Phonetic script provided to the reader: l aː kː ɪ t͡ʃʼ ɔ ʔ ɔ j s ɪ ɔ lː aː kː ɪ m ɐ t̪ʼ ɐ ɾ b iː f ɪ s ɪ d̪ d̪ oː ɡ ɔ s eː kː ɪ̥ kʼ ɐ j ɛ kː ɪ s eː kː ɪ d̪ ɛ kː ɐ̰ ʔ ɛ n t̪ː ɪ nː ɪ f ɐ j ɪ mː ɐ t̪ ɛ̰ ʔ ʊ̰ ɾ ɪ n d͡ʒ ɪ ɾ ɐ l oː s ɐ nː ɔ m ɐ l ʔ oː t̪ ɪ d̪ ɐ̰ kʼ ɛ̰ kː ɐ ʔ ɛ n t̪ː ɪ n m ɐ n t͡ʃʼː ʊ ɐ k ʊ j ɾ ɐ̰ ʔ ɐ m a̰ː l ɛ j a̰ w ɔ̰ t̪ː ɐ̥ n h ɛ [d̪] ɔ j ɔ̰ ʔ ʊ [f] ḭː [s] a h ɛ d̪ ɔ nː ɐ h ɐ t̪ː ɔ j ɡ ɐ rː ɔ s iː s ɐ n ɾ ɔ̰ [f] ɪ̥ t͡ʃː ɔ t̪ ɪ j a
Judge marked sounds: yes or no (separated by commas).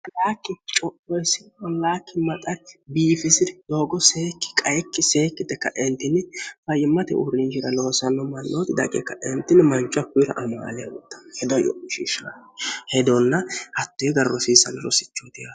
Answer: yes, no, no, no